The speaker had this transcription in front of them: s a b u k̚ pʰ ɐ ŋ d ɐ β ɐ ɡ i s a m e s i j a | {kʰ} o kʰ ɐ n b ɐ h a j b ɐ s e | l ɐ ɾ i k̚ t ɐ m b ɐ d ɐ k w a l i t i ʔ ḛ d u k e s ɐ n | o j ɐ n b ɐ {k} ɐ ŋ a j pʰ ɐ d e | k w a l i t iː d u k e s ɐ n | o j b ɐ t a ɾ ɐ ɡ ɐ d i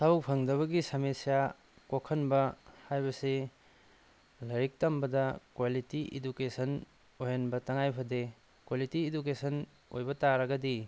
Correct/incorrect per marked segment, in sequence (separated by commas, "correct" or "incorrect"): incorrect, incorrect